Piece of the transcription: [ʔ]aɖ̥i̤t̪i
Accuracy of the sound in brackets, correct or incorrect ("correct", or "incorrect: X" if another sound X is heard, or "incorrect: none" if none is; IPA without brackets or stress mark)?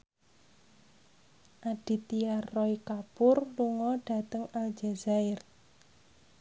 correct